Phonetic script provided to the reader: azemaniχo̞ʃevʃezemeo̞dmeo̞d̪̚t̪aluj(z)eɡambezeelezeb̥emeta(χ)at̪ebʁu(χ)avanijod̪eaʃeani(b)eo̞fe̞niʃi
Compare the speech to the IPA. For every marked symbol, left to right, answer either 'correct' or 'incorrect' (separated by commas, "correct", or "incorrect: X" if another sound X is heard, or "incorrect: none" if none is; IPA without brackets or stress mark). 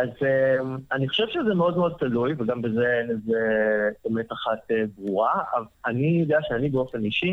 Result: incorrect: v, correct, incorrect: ʁ, correct